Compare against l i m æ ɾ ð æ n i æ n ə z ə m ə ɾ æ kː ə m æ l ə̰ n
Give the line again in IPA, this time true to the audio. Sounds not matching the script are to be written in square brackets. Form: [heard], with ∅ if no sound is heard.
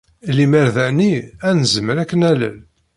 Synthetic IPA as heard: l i m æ ɾ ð æ n i æ n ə z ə m ə ɾ æ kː ə [n] æ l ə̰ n